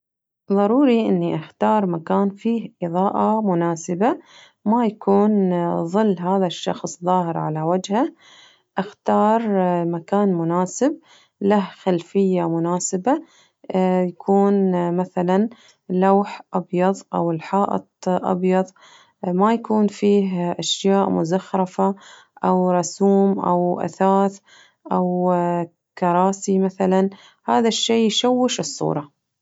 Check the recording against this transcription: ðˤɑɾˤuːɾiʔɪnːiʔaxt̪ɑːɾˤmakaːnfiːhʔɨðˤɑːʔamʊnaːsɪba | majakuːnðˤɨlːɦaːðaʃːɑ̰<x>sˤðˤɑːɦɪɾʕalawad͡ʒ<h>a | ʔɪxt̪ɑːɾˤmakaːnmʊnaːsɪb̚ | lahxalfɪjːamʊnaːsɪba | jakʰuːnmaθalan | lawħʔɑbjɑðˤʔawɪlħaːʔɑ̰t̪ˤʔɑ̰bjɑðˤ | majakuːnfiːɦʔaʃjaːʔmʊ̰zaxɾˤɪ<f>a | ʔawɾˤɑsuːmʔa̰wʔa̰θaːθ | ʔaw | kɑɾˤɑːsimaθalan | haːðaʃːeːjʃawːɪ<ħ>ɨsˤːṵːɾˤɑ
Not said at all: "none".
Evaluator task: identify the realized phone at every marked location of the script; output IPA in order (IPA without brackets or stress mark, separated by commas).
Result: x, h, f, ʃ